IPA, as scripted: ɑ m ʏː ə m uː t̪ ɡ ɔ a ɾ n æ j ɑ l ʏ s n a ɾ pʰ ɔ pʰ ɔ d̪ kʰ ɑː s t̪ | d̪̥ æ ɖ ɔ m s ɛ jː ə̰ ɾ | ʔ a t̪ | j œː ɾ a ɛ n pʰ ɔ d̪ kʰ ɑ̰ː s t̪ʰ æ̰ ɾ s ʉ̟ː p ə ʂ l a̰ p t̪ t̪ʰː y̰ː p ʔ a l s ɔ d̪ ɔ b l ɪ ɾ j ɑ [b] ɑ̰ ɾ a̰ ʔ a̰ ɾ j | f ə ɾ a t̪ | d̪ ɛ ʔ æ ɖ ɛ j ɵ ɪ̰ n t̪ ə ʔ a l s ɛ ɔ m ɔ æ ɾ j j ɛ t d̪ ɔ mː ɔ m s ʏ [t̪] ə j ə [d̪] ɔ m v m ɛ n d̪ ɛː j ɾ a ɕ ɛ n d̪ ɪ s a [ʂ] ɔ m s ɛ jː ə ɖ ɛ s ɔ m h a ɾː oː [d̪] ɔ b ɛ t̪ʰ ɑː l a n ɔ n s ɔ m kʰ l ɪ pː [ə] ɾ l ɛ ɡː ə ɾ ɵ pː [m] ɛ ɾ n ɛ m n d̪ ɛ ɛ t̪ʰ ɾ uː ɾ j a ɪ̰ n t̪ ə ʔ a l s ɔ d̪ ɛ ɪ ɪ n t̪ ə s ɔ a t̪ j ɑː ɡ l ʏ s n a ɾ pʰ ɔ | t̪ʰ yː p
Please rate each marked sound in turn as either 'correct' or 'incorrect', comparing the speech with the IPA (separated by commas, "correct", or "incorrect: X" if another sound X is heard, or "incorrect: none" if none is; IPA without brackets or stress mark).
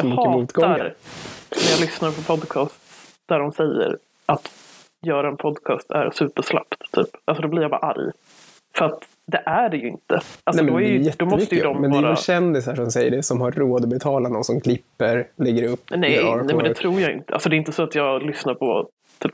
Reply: correct, correct, correct, correct, correct, correct, incorrect: n